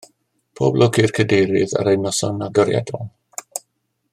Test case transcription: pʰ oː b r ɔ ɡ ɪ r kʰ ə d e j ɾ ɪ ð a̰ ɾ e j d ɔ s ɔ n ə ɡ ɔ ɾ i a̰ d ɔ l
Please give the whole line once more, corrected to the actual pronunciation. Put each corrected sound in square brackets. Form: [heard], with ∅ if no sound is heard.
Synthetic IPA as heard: pʰ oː b [l] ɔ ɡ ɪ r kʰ ə d e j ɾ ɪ ð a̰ ɾ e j [n] ɔ s ɔ n [a] ɡ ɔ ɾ [j] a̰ d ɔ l